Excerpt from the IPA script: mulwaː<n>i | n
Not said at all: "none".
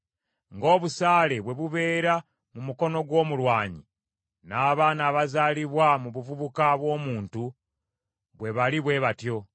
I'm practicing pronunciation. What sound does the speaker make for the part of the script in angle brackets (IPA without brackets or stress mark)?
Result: ɲ